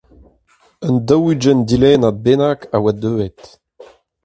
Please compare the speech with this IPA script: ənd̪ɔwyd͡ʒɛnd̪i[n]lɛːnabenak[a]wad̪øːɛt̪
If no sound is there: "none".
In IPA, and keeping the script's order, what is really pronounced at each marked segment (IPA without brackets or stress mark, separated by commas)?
none, a